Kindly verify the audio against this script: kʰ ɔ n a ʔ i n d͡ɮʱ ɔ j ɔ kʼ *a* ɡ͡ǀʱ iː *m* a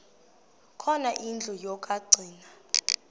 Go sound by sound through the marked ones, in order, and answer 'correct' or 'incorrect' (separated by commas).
correct, incorrect